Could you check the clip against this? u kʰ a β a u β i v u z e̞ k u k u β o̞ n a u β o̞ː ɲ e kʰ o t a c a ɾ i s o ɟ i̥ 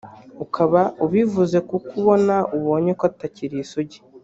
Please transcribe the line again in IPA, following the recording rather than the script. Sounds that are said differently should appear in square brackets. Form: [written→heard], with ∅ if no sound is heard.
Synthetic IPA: u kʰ a β a u β i v u z e̞ k u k u β o̞ n a u β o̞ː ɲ e [kʰ→k] o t a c [a→i] ɾ i s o ɟ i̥